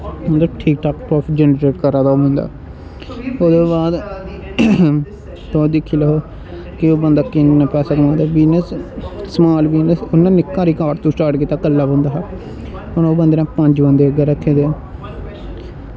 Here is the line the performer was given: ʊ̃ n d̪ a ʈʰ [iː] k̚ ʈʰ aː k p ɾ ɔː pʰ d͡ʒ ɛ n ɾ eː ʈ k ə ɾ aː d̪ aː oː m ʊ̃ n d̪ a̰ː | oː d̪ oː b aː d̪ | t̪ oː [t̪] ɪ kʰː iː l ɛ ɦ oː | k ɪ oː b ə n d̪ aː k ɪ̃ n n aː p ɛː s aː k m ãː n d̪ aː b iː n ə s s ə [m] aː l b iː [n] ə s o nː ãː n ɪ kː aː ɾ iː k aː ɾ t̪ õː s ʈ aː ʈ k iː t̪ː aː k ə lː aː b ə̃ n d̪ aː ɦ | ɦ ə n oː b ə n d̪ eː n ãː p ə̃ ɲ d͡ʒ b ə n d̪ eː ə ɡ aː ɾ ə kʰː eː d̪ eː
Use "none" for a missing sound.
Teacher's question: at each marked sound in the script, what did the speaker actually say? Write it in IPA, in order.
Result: iː, d̪, m, n

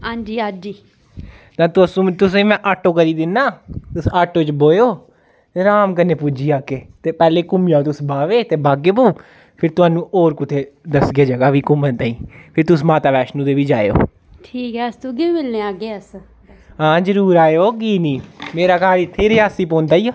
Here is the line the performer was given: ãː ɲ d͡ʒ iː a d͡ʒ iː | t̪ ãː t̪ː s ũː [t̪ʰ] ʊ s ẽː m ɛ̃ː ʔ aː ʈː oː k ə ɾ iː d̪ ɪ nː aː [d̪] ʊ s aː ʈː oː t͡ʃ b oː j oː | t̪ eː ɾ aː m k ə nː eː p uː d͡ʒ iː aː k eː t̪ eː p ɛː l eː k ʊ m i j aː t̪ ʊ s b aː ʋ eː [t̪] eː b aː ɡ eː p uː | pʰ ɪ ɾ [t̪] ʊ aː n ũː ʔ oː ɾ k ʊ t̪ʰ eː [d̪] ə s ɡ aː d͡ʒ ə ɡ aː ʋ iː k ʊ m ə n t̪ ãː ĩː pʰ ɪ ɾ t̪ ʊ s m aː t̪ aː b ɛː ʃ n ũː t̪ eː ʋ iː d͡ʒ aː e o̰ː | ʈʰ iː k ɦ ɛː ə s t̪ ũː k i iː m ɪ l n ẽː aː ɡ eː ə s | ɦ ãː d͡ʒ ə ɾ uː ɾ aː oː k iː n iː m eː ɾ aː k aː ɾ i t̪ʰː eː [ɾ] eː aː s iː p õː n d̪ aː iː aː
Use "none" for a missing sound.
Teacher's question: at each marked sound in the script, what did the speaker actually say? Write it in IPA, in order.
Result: t̪, t̪, t̪, t̪, d̪, ɾ

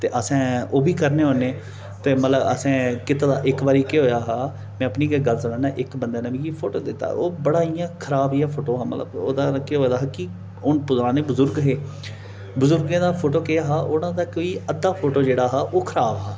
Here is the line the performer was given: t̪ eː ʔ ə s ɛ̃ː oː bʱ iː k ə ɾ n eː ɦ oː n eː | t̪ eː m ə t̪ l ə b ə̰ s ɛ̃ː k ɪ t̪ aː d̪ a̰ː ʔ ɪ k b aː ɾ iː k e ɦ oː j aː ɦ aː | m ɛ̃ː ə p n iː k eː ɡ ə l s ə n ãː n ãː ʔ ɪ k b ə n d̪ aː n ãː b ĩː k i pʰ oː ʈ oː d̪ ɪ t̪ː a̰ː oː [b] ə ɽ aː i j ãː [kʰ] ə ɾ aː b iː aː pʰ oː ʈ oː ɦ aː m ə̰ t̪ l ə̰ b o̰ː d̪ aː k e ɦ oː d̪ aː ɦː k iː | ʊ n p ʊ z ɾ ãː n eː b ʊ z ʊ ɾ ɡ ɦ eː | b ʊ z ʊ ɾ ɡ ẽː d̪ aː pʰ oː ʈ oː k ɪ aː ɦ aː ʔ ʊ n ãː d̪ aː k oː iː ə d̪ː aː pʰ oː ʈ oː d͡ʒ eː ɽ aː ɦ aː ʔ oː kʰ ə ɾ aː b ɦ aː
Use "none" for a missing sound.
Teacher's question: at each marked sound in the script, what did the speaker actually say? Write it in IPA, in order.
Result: b, kʰ

